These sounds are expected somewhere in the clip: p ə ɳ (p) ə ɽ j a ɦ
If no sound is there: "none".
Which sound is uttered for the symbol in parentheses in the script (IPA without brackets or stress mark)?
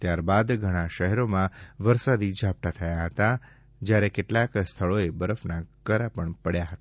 p